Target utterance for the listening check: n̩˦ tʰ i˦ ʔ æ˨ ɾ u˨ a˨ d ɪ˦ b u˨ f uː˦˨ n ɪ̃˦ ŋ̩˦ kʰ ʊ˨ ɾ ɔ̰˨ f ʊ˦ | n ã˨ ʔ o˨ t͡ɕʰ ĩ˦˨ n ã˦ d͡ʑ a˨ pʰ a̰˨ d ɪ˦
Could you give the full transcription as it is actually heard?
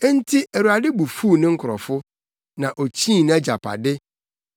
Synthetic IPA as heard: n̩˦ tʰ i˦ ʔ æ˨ ɾ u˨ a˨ d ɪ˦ b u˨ f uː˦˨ n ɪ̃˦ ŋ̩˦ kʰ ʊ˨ ɾ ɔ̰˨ f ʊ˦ | n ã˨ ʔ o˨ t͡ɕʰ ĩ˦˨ n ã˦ d͡ʑ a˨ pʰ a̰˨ d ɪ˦